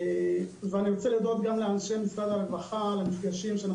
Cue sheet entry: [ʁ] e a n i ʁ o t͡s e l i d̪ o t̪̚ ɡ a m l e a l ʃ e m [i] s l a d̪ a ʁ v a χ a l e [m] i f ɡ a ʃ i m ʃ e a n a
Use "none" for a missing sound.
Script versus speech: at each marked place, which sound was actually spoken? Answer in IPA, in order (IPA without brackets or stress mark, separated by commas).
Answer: v, i, m